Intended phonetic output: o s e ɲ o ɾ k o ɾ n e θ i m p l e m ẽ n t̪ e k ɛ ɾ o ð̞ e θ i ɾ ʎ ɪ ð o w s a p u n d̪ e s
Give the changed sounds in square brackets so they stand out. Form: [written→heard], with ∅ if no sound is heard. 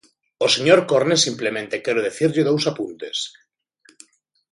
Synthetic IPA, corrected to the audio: o s e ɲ o ɾ k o ɾ n e [θ→s] i m p l e m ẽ n t̪ e k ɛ ɾ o ð̞ e θ i ɾ ʎ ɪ ð o w s a p u n [d̪→t̪] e s